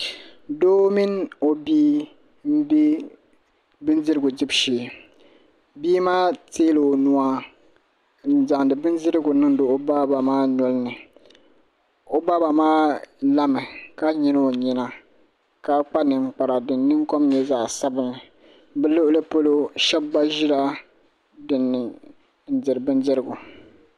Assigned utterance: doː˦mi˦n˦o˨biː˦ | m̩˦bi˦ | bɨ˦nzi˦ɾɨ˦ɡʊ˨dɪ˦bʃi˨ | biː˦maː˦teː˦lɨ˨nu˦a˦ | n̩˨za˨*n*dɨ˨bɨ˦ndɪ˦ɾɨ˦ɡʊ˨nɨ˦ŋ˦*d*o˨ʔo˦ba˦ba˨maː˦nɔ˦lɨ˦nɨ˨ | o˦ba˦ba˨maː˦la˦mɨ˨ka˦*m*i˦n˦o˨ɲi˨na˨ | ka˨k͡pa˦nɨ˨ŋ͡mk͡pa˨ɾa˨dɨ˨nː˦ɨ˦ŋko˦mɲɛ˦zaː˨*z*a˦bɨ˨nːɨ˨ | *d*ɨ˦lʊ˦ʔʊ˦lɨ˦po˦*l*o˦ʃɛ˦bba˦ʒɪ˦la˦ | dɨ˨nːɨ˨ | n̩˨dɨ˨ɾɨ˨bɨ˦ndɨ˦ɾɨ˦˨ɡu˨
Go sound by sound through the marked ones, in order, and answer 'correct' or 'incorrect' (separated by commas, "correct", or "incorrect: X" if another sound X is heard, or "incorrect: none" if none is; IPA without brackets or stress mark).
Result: incorrect: ŋ, correct, incorrect: ɲ, incorrect: s, incorrect: b, correct